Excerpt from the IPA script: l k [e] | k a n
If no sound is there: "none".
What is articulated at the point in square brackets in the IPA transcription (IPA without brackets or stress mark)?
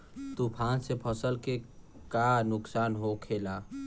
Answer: e